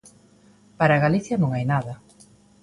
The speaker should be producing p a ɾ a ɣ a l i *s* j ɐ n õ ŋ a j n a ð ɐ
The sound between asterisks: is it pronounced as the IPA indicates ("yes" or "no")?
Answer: no